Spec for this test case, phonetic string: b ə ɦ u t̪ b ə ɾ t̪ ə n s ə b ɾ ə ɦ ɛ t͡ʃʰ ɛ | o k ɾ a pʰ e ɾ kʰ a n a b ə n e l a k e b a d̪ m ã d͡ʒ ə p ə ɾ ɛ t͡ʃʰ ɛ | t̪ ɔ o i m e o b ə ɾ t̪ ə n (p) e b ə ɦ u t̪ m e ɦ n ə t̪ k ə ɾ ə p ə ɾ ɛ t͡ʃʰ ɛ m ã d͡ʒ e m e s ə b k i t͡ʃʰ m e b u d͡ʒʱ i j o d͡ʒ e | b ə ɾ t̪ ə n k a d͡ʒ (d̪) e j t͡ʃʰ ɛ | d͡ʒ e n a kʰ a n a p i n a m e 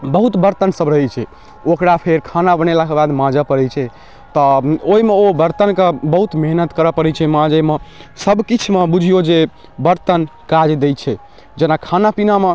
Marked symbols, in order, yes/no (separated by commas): no, yes